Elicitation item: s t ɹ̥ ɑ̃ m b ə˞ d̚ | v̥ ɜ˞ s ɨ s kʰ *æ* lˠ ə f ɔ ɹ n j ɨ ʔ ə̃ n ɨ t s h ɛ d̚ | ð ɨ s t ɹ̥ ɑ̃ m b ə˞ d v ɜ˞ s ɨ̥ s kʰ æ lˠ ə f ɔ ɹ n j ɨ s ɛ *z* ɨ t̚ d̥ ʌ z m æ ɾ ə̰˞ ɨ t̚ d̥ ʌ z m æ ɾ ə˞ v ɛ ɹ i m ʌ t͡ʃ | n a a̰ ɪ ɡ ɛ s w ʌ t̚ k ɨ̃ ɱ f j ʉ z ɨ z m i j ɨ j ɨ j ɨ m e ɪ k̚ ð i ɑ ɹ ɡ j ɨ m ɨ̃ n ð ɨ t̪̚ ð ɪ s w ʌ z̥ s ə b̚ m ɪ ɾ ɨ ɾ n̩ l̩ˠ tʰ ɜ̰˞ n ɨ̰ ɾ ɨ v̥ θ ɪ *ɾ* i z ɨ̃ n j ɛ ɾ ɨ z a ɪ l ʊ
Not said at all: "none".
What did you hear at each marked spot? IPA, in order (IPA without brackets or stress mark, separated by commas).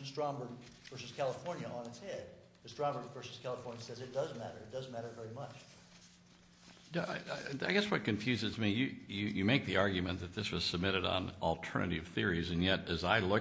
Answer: æ, z, ɹ